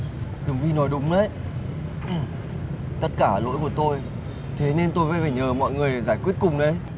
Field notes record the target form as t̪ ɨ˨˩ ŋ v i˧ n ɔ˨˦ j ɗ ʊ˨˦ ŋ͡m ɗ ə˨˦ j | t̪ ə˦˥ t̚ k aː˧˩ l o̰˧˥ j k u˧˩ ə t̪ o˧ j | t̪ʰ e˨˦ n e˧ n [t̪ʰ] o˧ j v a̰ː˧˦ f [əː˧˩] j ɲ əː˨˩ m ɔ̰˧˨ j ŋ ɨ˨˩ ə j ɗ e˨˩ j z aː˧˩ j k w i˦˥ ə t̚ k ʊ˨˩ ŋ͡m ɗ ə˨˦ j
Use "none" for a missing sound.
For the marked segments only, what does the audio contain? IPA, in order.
t̪, aː˧˩

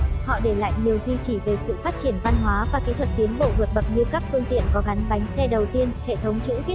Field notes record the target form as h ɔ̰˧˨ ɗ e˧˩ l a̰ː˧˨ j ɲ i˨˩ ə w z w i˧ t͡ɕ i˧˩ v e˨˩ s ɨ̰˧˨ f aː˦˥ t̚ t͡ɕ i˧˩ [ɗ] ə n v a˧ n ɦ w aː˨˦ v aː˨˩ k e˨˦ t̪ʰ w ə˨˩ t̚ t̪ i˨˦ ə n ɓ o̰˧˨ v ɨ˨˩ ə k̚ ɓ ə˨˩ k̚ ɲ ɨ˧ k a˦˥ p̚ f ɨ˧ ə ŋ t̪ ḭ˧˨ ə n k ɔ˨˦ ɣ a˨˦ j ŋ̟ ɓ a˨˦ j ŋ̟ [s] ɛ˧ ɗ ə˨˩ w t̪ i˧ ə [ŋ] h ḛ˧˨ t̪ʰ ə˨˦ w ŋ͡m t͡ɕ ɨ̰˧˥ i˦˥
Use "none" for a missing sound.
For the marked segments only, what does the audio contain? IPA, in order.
none, s, n

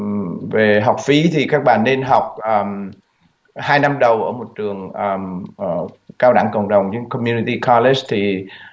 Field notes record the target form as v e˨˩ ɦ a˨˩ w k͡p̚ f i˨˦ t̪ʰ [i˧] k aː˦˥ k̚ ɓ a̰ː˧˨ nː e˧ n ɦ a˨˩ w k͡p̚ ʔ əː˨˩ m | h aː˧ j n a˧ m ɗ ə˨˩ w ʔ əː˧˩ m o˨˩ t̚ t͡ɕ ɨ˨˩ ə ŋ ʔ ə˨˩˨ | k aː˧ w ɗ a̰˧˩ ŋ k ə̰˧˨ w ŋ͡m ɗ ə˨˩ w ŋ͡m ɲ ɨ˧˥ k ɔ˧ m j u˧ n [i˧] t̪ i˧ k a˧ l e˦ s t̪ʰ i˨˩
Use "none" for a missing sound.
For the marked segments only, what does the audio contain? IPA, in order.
i˨˩, i˧

